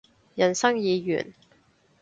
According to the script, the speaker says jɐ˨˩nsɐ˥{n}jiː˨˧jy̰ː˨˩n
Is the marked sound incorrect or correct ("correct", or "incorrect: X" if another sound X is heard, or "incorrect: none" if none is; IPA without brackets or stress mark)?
incorrect: ŋ